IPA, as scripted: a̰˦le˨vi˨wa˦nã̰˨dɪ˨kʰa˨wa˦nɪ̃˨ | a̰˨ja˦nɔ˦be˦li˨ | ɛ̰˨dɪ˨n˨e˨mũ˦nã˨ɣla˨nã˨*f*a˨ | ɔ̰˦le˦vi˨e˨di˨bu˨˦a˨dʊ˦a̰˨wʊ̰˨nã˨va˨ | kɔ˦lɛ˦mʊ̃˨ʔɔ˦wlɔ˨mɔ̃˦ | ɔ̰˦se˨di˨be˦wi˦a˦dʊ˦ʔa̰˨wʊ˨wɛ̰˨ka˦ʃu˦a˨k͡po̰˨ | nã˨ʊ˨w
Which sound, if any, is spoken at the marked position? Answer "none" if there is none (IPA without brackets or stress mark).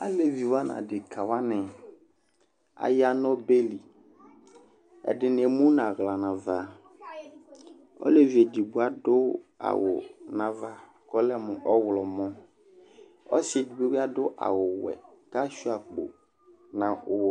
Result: v